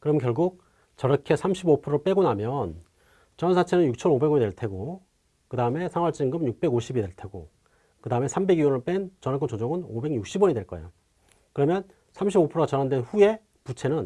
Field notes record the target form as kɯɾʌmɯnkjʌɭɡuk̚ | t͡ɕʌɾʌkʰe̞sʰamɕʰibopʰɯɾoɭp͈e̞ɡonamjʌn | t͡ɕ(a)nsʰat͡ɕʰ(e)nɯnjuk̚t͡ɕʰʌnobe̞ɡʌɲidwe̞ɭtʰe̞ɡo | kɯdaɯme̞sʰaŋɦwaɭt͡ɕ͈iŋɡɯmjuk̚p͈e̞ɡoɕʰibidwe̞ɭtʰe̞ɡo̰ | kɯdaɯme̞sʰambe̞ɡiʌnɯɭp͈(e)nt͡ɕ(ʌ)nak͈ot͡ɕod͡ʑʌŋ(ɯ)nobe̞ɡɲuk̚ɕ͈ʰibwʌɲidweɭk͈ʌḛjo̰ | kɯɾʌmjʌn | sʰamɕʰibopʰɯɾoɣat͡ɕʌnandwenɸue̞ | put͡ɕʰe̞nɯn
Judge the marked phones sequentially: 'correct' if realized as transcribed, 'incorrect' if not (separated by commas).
incorrect, correct, correct, correct, correct